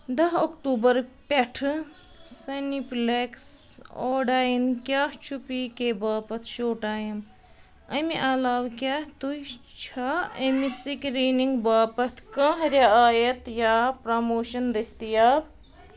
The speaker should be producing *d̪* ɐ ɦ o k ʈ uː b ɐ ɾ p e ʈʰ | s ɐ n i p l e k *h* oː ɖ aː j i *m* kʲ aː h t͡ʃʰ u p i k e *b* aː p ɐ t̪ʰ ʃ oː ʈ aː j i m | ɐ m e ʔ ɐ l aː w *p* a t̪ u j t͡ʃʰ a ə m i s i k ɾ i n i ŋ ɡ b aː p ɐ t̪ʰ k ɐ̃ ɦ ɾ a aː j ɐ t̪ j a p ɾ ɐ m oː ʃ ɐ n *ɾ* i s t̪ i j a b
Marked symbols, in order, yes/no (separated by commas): yes, no, no, yes, no, yes